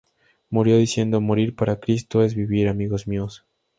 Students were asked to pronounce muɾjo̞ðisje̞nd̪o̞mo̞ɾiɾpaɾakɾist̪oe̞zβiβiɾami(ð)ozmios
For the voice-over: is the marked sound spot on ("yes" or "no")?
no